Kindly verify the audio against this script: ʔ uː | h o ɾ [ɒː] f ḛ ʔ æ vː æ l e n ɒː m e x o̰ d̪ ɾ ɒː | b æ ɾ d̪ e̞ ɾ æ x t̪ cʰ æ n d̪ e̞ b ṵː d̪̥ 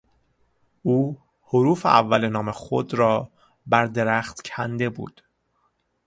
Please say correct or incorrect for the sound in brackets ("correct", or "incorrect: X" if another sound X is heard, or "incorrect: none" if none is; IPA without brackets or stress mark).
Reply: incorrect: uː